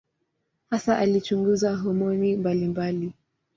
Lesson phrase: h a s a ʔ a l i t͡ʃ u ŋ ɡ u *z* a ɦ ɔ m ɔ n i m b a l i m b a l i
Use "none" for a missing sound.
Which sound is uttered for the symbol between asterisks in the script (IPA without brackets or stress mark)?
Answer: z